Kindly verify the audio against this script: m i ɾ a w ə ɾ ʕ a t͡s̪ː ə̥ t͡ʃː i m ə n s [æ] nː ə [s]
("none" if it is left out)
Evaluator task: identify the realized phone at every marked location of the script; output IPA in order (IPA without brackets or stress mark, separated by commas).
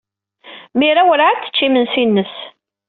i, s